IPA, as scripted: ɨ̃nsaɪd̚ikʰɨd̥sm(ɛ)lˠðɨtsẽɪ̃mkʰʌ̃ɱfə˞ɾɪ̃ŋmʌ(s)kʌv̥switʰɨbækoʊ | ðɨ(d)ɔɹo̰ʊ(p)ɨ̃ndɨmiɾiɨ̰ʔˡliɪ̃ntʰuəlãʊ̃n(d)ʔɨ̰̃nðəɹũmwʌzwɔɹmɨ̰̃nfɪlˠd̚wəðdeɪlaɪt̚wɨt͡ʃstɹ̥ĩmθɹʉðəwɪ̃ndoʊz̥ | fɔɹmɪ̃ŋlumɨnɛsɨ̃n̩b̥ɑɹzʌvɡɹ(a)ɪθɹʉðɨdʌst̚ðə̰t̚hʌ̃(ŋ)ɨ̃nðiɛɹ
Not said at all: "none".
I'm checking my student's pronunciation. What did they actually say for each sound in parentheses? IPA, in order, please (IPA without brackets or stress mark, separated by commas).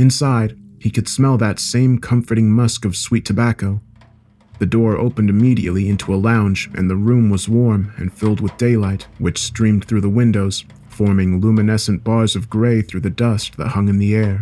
ɛ, s, d, p, d͡ʒ, e, ŋ